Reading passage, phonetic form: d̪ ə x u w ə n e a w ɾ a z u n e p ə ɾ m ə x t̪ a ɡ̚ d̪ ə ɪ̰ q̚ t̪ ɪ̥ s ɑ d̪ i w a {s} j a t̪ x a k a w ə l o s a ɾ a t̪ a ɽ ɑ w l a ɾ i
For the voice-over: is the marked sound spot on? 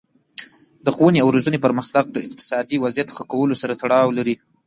no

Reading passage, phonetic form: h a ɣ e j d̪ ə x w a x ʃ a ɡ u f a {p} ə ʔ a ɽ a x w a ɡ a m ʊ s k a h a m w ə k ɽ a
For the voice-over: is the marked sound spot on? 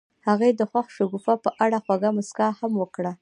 yes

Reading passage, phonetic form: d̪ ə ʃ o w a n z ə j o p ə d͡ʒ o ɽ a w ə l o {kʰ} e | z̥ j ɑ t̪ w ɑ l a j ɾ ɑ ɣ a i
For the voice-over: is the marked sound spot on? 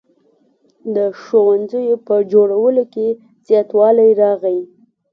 no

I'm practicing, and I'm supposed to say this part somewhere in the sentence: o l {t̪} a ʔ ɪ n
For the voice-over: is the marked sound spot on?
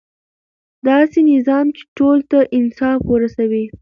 yes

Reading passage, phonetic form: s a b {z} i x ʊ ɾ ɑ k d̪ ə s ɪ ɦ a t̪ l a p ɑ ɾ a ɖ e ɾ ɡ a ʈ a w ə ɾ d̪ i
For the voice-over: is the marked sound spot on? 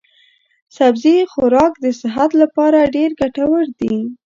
yes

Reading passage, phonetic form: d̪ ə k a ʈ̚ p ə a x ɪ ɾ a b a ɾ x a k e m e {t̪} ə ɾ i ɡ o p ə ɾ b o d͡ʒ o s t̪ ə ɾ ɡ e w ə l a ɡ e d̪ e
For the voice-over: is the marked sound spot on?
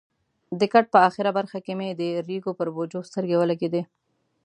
no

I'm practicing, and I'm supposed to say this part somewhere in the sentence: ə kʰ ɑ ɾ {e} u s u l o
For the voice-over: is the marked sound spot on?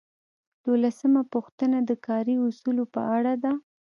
no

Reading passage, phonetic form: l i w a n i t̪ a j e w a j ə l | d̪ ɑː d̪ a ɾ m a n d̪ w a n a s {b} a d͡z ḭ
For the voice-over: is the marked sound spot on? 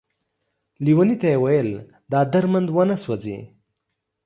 no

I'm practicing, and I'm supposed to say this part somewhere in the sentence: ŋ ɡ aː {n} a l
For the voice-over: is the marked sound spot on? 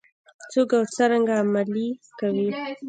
no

